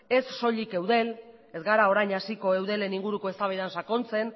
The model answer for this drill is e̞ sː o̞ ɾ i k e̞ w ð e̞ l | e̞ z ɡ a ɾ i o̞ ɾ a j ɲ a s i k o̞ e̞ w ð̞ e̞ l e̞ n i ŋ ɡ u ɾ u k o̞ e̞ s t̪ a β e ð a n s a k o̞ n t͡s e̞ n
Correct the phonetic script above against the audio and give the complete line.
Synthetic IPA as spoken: e̞ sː o̞ ʎ i k e̞ w ð e̞ l | e̞ z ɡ a ɾ a o̞ ɾ a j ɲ a s i k o̞ e̞ w ð̞ e̞ l e̞ n i ŋ ɡ u ɾ u k o̞ e̞ s t̪ a β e ð a n s a k o̞ n t͡s e̞ n